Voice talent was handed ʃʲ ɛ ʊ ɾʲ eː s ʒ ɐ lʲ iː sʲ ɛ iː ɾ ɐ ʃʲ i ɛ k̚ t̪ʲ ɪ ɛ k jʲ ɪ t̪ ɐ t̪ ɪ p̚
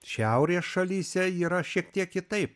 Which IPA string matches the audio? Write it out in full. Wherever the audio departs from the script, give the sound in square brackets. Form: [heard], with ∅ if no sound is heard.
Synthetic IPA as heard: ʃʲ ɛ ʊ ɾʲ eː s [ʃ] ɐ lʲ iː sʲ ɛ iː ɾ ɐ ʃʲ i ɛ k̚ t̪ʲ [i] ɛ k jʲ ɪ t̪ ɐ [∅] ɪ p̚